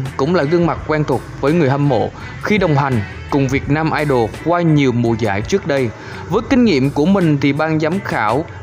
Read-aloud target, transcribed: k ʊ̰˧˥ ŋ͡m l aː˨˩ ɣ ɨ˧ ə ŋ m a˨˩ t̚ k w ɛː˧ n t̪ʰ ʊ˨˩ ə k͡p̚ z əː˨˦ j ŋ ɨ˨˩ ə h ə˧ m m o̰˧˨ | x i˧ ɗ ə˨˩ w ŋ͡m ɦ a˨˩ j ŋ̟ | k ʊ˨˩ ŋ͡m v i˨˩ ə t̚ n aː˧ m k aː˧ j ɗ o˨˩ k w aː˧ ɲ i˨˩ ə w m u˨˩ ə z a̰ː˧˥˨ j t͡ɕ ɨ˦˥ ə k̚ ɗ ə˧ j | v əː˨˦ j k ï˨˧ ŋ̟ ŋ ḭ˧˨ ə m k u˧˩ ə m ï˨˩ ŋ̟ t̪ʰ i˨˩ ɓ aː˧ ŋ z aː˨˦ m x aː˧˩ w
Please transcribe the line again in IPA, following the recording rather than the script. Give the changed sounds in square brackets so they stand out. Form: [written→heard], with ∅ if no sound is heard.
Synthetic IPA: k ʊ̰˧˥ ŋ͡m l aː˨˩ ɣ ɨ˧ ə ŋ m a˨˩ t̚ k w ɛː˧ n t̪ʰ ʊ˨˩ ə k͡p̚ [z→v] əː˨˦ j ŋ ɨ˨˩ ə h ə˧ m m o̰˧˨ | x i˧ ɗ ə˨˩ w ŋ͡m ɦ a˨˩ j ŋ̟ | k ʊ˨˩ ŋ͡m v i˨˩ ə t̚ n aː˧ m [k→ʔ] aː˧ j ɗ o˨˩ k w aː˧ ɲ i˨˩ ə w m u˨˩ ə z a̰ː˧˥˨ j t͡ɕ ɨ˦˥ ə k̚ ɗ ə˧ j | v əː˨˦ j k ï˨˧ ŋ̟ ŋ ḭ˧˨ ə m k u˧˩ ə m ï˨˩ ŋ̟ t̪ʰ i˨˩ ɓ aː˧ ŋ z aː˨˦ m x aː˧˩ w

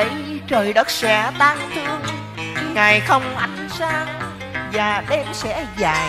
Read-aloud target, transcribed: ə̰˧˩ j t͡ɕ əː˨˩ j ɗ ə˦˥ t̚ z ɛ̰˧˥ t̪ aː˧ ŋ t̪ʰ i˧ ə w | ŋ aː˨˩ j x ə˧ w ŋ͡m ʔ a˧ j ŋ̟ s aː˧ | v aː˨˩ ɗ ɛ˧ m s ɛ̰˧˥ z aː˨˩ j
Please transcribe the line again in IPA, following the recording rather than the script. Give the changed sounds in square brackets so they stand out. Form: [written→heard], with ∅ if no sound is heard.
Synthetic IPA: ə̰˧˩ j t͡ɕ əː˨˩ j ɗ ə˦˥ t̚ [z→s] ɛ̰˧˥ t̪ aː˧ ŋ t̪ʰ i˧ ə w | ŋ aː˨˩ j x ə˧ w ŋ͡m ʔ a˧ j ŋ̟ s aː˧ | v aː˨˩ ɗ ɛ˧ m s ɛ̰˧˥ z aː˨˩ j

